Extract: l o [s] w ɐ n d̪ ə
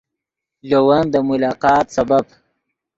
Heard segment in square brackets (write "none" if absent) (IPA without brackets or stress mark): none